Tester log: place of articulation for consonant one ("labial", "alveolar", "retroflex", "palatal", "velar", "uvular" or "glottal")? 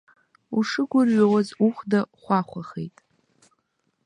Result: retroflex